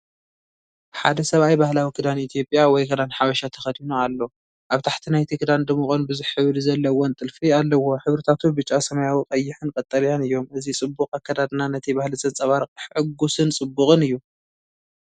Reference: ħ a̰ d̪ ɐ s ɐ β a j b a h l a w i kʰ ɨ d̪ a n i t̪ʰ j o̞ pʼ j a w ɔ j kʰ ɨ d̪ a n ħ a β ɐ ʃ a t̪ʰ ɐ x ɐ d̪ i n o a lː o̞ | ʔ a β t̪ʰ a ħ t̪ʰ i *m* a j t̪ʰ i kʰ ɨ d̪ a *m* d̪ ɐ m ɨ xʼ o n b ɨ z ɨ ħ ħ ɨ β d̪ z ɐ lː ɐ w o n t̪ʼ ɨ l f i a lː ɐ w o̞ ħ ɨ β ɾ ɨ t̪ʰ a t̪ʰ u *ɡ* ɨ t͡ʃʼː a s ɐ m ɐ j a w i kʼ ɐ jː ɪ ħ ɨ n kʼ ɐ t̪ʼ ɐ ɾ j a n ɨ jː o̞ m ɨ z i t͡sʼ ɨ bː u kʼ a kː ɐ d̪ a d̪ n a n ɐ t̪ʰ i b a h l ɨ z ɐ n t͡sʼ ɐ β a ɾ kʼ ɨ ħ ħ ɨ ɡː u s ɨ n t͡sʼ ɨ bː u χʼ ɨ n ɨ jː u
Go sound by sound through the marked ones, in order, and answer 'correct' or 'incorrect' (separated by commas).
incorrect, incorrect, incorrect